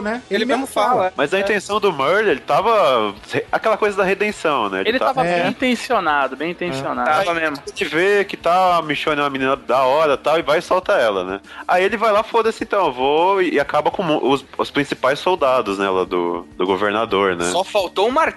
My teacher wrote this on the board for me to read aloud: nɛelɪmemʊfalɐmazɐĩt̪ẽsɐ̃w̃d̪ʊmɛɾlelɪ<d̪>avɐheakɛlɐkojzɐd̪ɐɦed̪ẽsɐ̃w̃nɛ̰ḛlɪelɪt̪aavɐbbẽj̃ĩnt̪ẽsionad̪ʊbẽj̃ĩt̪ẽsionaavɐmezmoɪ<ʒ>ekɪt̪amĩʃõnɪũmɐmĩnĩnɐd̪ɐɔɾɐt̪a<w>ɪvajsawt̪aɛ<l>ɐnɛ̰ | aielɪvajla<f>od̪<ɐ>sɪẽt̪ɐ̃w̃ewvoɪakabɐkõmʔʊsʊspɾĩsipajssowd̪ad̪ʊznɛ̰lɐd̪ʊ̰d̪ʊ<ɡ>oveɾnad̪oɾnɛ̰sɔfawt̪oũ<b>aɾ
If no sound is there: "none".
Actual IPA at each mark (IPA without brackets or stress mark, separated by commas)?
t̪, v, w, l, f, ɐ, ɡ, m